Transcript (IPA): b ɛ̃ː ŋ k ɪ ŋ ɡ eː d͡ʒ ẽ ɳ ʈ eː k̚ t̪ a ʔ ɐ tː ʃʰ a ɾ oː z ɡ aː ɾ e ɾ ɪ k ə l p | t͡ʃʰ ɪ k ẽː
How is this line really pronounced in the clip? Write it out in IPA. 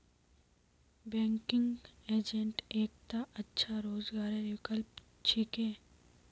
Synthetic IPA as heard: b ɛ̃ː ŋ k ɪ ŋ ɡ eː d͡ʒ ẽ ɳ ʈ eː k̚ t̪ a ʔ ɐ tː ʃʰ a ɾ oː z ɡ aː ɾ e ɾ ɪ k ə l p | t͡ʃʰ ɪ k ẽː